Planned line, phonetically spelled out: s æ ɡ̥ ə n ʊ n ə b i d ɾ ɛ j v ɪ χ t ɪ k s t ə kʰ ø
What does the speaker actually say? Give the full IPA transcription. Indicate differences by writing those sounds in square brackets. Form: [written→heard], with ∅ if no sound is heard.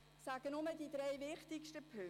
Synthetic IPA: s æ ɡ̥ ə n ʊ [n→m] ə [b→d] i d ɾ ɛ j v ɪ χ t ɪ k [s→ʃ] t ə [kʰ→pʰ] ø